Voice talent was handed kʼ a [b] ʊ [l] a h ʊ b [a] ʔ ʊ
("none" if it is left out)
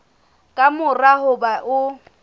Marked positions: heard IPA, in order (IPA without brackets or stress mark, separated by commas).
m, r, a